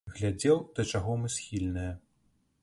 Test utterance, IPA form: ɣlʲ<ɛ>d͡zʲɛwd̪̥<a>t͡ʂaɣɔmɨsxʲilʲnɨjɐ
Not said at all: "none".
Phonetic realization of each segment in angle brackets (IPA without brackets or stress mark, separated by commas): a, ɐ